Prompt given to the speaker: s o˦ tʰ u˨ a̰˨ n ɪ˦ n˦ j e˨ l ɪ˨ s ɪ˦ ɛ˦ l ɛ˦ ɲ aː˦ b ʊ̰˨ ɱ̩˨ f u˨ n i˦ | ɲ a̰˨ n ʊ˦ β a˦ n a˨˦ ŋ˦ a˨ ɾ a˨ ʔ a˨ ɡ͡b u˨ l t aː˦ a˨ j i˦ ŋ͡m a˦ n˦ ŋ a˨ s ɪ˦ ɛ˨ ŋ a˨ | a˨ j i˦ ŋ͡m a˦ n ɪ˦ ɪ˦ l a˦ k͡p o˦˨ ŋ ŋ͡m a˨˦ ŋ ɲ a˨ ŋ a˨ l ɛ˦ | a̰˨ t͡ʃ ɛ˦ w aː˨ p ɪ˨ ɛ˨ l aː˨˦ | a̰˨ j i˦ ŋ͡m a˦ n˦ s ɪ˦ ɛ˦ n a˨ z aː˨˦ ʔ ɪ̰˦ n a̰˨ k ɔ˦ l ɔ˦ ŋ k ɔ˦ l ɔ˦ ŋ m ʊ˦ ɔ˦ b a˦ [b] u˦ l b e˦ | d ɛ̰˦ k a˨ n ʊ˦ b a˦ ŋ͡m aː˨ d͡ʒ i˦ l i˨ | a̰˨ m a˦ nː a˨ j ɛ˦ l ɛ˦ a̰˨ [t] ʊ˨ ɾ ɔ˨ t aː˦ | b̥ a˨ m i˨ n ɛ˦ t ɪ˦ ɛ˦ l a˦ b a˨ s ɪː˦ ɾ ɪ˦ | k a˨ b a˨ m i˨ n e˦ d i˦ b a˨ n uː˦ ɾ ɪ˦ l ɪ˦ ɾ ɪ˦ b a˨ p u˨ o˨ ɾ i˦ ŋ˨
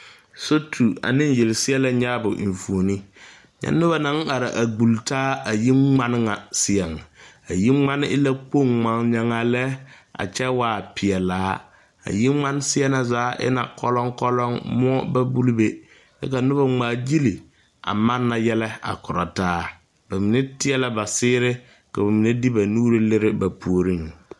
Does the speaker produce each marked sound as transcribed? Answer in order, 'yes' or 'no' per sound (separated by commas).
yes, no